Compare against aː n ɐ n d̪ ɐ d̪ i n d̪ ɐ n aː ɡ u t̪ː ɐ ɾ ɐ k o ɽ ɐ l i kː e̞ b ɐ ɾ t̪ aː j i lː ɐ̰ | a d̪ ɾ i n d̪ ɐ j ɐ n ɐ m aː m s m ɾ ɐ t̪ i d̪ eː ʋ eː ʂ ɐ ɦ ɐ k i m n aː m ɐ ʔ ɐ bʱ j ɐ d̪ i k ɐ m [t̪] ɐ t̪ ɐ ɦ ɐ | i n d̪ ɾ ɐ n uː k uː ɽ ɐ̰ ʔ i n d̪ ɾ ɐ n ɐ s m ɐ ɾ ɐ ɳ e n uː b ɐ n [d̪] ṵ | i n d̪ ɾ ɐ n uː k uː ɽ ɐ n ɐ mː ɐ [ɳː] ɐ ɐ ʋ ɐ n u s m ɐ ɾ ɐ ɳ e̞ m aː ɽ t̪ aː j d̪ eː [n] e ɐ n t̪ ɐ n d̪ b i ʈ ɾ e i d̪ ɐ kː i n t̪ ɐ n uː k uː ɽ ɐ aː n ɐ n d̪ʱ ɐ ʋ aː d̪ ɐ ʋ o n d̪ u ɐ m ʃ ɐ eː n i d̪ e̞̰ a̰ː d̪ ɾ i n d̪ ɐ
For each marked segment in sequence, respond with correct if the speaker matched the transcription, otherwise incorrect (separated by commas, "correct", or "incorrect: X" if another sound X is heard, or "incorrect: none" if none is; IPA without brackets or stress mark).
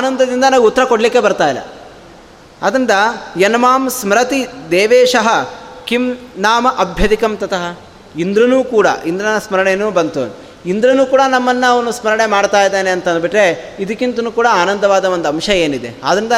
correct, incorrect: t̪, incorrect: nː, correct